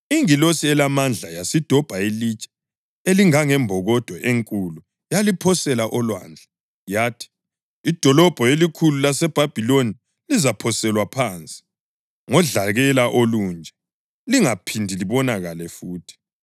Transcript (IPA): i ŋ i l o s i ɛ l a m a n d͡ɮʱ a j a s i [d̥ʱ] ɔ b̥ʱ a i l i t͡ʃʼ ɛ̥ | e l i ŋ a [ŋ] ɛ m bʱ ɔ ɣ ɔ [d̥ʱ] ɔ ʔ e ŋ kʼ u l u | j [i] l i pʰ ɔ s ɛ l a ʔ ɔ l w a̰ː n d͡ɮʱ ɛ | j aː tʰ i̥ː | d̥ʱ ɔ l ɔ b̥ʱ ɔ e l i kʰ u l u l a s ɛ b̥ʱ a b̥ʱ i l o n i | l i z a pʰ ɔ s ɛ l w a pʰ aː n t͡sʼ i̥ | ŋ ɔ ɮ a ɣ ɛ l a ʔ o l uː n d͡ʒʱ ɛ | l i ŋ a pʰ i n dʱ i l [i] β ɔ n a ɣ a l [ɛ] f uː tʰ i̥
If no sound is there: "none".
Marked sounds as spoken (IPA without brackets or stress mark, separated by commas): d̥ʱ, ŋ, d̥ʱ, a, i, ɛ